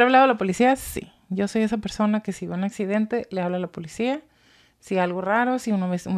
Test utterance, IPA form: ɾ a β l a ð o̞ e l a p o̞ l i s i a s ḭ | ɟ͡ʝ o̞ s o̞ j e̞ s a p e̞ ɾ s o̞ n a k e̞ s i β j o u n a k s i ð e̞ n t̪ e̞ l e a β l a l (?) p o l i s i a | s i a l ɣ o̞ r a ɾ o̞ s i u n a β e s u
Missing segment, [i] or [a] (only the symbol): a